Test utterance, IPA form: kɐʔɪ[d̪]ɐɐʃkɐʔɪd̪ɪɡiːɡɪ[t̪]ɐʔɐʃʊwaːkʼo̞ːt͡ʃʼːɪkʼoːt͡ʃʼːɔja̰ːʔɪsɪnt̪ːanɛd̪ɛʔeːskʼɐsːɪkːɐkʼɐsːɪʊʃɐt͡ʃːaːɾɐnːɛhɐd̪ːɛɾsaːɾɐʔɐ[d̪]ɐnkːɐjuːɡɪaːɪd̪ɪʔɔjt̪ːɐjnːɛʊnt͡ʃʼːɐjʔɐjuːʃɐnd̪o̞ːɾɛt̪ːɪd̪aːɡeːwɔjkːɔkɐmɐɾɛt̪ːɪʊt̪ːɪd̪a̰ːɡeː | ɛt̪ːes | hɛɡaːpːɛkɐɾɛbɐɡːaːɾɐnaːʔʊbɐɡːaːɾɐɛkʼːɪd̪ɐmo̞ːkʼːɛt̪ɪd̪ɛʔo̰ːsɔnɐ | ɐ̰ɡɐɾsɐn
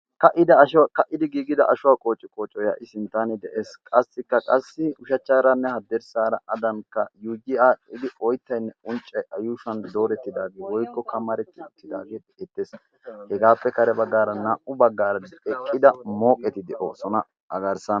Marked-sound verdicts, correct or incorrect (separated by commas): correct, incorrect, correct